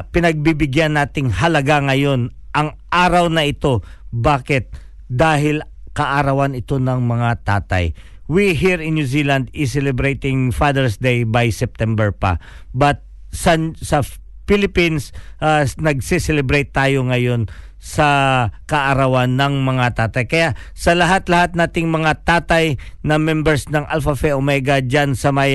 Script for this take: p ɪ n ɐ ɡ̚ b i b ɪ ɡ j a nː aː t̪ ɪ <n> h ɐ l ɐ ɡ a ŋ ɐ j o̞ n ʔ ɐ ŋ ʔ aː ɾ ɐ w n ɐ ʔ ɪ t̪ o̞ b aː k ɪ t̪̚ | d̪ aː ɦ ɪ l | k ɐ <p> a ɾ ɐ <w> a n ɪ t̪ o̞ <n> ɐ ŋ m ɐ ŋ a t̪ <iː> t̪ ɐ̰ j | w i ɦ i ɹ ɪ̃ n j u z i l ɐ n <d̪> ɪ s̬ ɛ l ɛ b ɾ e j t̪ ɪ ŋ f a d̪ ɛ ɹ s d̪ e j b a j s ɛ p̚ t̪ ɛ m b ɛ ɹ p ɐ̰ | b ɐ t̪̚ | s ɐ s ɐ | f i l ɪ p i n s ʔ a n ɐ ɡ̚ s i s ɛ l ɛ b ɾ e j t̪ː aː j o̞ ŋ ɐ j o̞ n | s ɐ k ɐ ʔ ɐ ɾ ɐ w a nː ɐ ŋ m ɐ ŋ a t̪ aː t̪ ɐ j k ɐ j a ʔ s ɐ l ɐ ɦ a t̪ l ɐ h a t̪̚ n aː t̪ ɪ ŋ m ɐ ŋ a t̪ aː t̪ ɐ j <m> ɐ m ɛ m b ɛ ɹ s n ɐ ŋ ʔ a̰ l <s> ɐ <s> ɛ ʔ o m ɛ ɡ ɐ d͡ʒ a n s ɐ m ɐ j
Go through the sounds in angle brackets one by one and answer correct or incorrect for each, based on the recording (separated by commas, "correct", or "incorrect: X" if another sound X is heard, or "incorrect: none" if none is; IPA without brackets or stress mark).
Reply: incorrect: ŋ, incorrect: ʔ, correct, correct, incorrect: aː, correct, incorrect: n, incorrect: f, incorrect: f